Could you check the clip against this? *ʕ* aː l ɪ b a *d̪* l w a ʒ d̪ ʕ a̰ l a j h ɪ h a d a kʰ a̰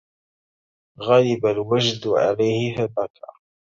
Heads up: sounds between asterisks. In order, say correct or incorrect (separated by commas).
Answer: incorrect, incorrect